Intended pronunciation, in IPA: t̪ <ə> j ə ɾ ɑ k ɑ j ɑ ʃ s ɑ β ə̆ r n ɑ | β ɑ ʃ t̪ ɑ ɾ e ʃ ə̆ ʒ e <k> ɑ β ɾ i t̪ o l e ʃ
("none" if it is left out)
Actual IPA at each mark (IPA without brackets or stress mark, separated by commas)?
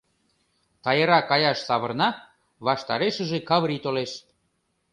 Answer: ɑ, k